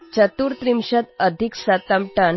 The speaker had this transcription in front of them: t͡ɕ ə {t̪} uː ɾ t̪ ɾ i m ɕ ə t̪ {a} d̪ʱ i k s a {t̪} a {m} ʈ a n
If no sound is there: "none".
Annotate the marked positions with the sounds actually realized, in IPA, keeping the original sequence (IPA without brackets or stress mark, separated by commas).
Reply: t̪, ə, t̪, m